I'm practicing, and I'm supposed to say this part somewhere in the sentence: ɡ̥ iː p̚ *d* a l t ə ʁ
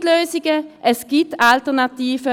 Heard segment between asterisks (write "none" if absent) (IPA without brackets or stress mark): t